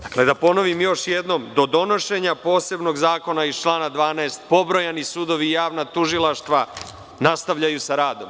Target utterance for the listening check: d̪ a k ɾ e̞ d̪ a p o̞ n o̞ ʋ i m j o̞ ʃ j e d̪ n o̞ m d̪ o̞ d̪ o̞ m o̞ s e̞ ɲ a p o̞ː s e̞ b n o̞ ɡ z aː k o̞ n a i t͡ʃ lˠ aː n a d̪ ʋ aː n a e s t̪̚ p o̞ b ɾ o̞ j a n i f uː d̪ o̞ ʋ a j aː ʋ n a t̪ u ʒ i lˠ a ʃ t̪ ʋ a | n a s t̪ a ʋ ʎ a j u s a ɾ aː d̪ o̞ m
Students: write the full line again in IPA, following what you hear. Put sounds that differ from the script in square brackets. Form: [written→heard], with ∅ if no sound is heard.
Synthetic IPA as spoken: d̪ a k [ɾ→l] e̞ d̪ a p o̞ n o̞ ʋ i m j o̞ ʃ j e d̪ n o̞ m d̪ o̞ d̪ o̞ [m→n] o̞ [s→ʃ] e̞ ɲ a p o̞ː s e̞ b n o̞ ɡ z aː k o̞ n a i t͡ʃ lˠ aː n a d̪ ʋ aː n a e s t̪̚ p o̞ b ɾ o̞ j a n i [f→s] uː d̪ o̞ ʋ [a→i] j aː ʋ n a t̪ u ʒ i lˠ a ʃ t̪ ʋ a | n a s t̪ a ʋ ʎ a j u s a ɾ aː d̪ o̞ m

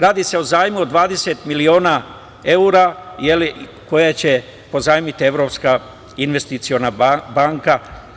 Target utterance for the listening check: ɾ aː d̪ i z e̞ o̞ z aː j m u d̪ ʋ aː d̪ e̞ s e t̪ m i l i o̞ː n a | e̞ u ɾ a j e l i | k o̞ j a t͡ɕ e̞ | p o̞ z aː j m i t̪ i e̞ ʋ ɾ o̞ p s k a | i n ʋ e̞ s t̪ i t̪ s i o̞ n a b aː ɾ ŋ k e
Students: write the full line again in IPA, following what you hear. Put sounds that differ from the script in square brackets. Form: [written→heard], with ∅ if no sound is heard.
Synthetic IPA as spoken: ɾ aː d̪ i [z→s] e̞ o̞ z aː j m u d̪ ʋ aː d̪ e̞ s e t̪ m i l i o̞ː n a | e̞ u ɾ a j e l i | k o̞ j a t͡ɕ e̞ | p o̞ z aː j m i t̪ i e̞ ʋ ɾ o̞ p s k a | i n ʋ e̞ s t̪ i t̪ s i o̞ n a b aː [ɾ→∅] ŋ k [e→a]

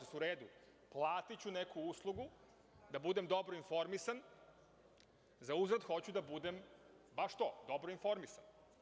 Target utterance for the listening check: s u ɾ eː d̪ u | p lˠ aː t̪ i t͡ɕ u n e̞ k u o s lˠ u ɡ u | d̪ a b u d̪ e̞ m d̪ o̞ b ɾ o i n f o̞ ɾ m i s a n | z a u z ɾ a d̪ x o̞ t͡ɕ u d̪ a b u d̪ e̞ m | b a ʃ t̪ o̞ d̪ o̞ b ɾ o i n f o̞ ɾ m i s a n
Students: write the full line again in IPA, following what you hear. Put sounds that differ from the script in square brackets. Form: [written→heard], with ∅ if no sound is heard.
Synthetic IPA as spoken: s u ɾ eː d̪ u | p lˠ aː t̪ i t͡ɕ u n e̞ k u [o→u] s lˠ u ɡ u | d̪ a b u d̪ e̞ m d̪ o̞ b ɾ o i n f o̞ ɾ m i s a n | z a u z ɾ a d̪ x o̞ t͡ɕ u d̪ a b u d̪ e̞ m | b a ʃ t̪ o̞ d̪ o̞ b ɾ o i n f o̞ ɾ m i s a n

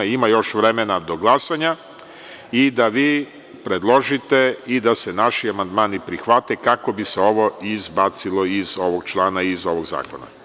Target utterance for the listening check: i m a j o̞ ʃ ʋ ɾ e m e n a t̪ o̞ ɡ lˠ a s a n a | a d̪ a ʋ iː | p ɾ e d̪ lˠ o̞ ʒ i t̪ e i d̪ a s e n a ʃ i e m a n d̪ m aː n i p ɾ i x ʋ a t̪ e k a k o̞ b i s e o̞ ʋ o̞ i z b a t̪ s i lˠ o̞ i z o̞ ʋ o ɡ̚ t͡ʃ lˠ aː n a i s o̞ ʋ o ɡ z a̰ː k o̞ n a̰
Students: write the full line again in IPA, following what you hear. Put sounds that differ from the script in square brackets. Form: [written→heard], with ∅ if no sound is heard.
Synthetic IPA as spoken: i m a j o̞ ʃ ʋ ɾ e m e n a [t̪→d̪] o̞ ɡ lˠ a s a [n→ɲ] a | [a→i] d̪ a ʋ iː | p ɾ e d̪ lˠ o̞ ʒ i t̪ e i d̪ a s e n a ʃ i [e→a] m a n d̪ m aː n i p ɾ i x ʋ a t̪ e k a k o̞ b i s e o̞ ʋ o̞ i z b a t̪ s i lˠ o̞ i z o̞ ʋ o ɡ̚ t͡ʃ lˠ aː n a i [s→z] o̞ ʋ o ɡ z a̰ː k o̞ n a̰

